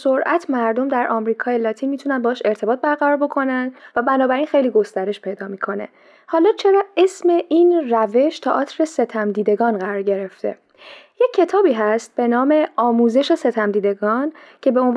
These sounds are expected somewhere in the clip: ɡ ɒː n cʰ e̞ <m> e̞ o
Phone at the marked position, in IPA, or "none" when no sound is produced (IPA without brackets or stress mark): b